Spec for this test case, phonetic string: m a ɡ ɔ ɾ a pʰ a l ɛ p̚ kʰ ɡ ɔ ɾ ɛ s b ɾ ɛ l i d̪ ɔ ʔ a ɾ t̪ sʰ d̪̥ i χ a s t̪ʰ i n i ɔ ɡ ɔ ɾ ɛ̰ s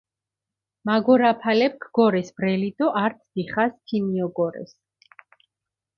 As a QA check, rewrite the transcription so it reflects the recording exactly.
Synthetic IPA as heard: m a ɡ ɔ ɾ a pʰ a l ɛ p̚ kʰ ɡ ɔ ɾ ɛ s b ɾ ɛ l i d̪ ɔ ʔ a ɾ t̪ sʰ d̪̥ i χ a s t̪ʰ i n i ɔ ɡ ɔ ɾ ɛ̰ s

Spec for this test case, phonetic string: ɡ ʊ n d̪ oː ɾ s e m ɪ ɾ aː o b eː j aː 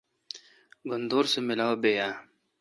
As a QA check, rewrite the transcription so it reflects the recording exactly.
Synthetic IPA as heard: ɡ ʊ n d̪ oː ɾ s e m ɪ l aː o b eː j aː

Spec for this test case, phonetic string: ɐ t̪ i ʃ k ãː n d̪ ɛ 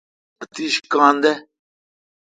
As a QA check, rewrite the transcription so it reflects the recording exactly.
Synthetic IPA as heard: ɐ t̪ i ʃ k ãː n d̪ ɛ

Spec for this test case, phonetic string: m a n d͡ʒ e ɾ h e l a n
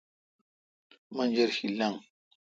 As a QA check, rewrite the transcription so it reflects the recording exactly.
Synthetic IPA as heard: m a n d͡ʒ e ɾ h i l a ŋ

